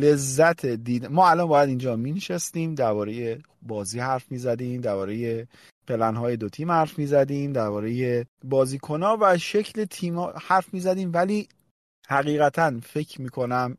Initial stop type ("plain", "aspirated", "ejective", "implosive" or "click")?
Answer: aspirated